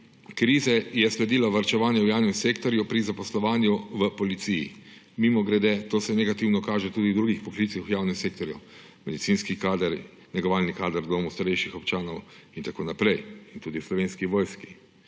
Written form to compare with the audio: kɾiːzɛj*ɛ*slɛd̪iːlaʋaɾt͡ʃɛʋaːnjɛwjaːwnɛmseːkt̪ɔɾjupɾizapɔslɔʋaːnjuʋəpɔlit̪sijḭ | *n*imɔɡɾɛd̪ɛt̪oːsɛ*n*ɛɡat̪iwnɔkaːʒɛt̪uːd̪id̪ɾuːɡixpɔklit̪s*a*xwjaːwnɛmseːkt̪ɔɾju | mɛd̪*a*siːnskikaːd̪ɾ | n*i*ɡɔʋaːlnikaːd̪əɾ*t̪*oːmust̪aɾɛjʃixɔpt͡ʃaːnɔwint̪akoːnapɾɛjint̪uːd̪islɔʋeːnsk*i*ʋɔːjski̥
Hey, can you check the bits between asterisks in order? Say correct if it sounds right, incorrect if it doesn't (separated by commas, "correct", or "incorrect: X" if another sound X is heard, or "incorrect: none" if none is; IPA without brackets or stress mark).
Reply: correct, incorrect: m, correct, incorrect: i, incorrect: i, incorrect: ɛ, incorrect: d̪, correct